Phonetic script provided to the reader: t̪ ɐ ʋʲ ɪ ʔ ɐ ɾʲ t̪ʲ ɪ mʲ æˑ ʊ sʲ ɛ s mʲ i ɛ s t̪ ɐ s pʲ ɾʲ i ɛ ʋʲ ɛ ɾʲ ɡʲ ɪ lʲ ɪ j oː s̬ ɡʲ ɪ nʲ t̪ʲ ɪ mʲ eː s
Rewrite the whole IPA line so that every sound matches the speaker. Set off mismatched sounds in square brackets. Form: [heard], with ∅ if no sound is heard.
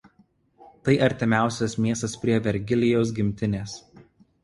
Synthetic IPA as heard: t̪ ɐ [∅] ɪ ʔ ɐ ɾʲ t̪ʲ ɪ mʲ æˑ ʊ sʲ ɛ s mʲ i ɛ s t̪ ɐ s pʲ ɾʲ i ɛ ʋʲ ɛ ɾʲ ɡʲ ɪ lʲ ɪ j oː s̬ ɡʲ ɪ [mʲ] t̪ʲ ɪ [nʲ] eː s